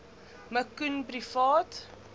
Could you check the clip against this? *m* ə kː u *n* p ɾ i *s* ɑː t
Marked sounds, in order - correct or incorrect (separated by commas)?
correct, correct, incorrect